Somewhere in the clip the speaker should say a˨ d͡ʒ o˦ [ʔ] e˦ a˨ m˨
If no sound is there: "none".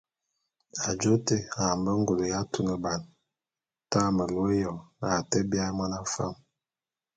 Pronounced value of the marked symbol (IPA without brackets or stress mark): t